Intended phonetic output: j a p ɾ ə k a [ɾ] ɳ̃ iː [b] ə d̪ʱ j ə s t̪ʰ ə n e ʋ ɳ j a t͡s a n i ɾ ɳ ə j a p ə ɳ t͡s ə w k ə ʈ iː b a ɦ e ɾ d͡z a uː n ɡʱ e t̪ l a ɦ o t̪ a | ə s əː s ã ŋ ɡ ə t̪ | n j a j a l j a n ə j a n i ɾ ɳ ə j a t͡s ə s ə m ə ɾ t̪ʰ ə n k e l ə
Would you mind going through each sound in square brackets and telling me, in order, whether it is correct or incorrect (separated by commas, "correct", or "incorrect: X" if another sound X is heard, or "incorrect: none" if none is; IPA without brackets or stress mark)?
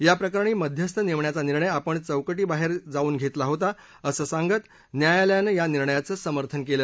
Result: correct, incorrect: m